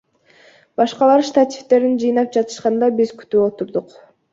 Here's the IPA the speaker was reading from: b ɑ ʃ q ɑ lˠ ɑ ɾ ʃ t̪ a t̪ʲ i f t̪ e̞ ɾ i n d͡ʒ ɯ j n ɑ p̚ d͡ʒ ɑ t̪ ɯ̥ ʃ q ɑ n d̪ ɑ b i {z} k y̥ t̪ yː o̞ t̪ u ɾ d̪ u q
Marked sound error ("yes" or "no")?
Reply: no